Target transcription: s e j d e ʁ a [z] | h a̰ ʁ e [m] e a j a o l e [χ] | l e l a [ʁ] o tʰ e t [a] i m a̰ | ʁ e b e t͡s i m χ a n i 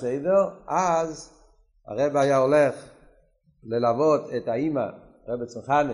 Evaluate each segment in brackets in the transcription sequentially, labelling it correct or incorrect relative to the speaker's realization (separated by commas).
correct, incorrect, correct, incorrect, correct